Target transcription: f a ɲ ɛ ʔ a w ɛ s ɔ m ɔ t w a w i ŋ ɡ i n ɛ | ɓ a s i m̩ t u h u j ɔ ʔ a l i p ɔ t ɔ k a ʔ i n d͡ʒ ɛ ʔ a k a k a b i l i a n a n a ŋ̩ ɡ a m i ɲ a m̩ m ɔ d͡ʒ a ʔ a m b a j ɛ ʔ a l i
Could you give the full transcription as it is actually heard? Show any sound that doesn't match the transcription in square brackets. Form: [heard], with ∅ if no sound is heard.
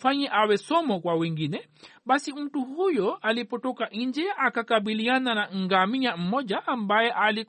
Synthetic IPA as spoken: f a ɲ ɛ ʔ a w ɛ s ɔ m ɔ [k] w a w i ŋ ɡ i n ɛ | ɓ a s i m̩ t u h u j ɔ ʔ a l i p ɔ t ɔ k a ʔ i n d͡ʒ ɛ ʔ a k a k a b i l i a n a n a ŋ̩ ɡ a m i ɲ a m̩ m ɔ d͡ʒ a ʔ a m b a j ɛ ʔ a l i